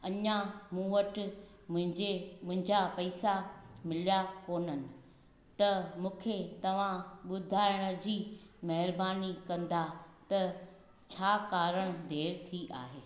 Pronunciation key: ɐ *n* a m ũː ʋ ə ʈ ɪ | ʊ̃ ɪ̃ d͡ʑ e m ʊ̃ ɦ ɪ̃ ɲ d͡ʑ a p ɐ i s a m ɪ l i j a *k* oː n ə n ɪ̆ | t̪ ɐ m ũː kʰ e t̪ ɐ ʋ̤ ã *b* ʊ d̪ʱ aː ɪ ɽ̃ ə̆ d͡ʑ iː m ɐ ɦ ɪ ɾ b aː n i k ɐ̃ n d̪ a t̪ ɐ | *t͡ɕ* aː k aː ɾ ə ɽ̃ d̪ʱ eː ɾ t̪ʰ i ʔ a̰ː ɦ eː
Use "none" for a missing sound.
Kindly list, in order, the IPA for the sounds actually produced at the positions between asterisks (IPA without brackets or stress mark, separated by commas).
ɲ, k, ɓ, t͡ɕʰ